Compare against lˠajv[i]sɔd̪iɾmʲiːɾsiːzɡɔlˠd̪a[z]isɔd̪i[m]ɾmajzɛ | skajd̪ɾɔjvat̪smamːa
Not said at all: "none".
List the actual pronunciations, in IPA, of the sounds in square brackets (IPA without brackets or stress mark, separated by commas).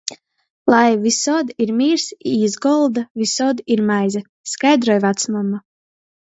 i, v, none